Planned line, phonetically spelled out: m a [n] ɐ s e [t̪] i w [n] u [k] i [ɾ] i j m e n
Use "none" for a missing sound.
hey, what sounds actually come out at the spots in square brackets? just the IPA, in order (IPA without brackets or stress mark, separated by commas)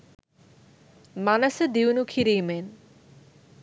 n, d̪, n, kʰ, ɾ